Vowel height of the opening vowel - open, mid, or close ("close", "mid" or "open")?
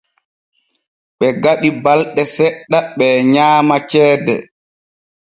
mid